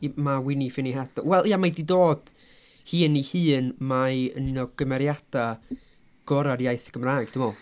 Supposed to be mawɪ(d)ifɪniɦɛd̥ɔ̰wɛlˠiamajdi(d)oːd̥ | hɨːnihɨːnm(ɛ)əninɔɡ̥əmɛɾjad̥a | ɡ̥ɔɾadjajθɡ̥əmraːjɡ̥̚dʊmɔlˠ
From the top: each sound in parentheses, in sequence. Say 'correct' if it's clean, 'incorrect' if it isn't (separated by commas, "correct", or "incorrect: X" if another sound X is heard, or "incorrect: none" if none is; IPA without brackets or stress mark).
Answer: incorrect: n, correct, incorrect: a